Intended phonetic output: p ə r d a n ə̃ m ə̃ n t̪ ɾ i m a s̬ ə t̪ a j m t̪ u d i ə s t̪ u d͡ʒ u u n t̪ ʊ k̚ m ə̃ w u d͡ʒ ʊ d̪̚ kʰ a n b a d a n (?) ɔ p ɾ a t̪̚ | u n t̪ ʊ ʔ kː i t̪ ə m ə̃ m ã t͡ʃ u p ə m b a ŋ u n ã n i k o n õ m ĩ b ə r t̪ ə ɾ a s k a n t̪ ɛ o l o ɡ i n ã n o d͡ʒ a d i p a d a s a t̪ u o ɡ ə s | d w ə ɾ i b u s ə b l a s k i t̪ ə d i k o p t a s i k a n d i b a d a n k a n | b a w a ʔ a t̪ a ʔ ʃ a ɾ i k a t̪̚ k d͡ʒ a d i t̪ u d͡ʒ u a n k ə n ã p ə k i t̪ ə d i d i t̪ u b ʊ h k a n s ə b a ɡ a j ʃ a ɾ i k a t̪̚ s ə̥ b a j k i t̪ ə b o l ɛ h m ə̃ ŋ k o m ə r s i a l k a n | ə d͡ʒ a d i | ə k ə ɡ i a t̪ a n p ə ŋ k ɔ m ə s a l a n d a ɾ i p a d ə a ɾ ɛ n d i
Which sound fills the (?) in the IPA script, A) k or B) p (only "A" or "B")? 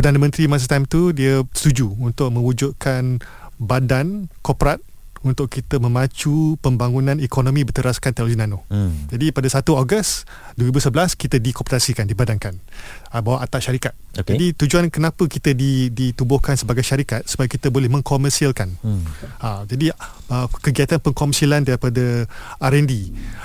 A